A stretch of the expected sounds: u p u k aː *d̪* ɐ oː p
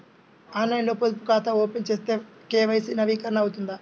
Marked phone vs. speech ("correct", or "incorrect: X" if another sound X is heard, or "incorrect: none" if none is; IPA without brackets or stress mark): incorrect: t̪